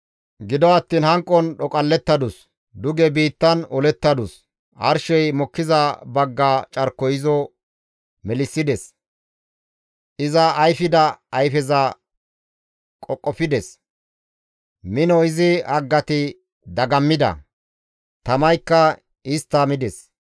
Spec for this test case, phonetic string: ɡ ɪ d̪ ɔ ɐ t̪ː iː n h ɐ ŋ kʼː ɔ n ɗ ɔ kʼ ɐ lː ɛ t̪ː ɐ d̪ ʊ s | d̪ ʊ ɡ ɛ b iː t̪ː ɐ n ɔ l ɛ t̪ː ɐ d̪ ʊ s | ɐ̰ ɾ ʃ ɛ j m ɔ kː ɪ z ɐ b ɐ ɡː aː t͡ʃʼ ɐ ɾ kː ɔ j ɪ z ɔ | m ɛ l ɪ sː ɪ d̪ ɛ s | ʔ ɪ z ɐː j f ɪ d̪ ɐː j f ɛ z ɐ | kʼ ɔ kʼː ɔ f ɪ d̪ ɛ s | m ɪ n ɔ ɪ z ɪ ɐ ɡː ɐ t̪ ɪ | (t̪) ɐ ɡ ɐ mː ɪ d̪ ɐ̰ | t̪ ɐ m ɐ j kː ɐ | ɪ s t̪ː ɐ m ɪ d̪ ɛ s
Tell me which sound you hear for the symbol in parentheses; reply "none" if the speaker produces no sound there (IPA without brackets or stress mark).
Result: d̪